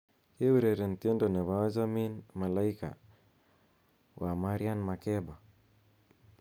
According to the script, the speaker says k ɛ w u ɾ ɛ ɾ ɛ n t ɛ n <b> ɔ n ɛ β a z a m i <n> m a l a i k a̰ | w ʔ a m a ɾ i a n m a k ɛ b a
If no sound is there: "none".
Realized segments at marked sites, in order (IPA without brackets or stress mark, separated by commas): d, n